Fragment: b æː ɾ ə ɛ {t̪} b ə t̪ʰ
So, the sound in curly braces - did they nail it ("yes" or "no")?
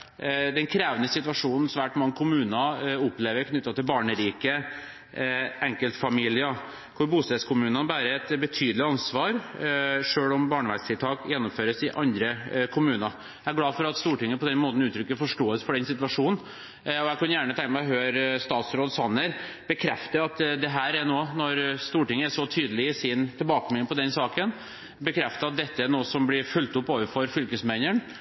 yes